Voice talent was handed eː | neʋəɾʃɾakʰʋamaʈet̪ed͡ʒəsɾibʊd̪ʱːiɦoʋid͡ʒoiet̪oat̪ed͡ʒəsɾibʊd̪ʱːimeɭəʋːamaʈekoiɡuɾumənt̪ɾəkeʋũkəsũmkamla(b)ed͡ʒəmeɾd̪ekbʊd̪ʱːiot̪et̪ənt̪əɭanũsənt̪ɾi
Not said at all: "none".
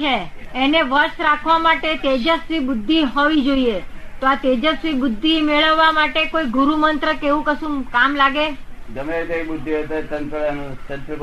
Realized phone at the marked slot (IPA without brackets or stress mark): ɡ